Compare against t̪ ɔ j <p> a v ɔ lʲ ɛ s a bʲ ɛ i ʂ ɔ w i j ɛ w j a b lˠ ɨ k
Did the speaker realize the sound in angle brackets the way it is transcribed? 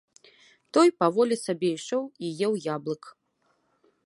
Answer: yes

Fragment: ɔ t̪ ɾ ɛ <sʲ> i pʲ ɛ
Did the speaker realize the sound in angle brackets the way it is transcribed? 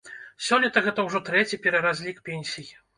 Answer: no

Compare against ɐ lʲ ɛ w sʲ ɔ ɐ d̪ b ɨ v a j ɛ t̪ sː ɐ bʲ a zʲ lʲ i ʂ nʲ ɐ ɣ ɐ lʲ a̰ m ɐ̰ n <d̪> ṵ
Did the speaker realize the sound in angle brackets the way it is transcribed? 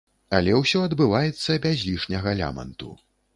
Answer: no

